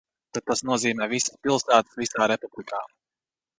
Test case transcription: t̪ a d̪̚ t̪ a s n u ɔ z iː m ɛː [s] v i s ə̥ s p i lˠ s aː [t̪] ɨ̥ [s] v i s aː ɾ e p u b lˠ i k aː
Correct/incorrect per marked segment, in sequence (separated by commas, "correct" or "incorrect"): incorrect, correct, correct